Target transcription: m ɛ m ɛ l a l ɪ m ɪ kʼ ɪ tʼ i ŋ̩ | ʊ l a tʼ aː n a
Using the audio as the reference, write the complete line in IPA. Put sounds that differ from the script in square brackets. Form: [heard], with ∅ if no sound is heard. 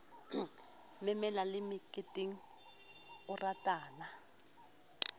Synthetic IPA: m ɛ m ɛ l a l ɪ m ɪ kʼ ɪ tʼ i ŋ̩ | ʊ [r] a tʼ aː n a